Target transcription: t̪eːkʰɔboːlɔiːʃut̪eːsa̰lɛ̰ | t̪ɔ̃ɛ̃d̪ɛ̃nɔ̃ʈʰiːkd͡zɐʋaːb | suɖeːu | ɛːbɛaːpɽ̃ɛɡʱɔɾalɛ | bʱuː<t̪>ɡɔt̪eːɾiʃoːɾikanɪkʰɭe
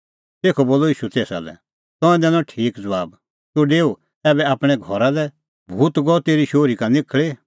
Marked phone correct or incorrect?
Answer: correct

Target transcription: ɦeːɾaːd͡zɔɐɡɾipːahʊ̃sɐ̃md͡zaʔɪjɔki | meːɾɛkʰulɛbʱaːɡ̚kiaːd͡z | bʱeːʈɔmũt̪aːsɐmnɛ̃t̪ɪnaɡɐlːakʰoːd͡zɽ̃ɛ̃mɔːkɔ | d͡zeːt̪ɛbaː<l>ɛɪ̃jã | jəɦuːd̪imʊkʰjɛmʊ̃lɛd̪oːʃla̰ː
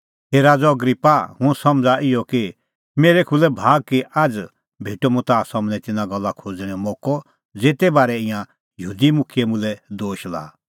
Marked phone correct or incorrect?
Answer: incorrect: ɾ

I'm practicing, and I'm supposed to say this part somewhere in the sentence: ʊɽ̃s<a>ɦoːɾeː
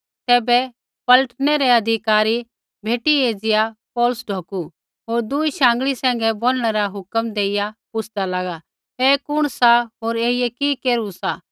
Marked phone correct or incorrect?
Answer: correct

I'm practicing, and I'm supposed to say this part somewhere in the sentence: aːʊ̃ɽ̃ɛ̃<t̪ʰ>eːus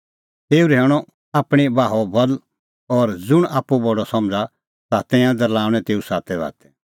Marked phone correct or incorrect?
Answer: incorrect: t̪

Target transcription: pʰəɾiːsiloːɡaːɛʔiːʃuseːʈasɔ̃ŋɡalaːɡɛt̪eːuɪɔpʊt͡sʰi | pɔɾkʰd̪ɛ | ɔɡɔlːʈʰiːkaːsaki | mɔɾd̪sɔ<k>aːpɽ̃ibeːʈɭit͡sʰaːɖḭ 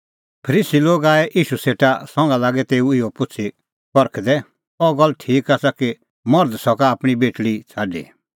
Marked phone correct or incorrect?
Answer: correct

